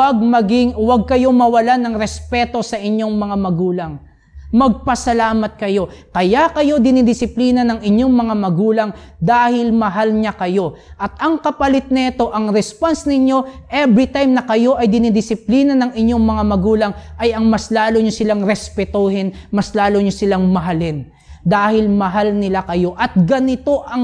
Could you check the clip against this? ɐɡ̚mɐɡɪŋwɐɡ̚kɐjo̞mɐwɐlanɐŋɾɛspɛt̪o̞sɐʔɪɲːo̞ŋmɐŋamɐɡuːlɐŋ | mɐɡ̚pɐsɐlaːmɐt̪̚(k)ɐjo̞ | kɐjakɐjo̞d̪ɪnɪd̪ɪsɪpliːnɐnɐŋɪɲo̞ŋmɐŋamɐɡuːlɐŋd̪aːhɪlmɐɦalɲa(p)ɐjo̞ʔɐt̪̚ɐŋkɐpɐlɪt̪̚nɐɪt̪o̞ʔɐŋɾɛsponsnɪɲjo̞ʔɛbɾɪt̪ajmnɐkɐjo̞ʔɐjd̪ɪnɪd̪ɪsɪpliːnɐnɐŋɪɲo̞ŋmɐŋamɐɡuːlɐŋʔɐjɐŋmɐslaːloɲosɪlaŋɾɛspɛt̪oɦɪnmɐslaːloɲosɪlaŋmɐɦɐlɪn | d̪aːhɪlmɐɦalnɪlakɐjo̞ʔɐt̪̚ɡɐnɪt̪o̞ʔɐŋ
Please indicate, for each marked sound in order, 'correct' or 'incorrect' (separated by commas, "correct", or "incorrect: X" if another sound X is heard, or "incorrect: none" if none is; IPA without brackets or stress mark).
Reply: correct, incorrect: k